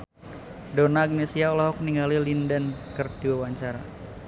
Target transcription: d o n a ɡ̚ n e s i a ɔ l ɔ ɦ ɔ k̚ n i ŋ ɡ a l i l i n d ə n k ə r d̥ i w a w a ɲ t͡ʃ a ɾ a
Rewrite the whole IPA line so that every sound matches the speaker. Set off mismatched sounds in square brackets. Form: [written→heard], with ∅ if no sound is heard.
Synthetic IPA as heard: d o n a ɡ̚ n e s i a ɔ l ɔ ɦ ɔ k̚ n i ŋ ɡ a l i l i n d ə n k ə r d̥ i w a w a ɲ t͡ʃ a ɾ a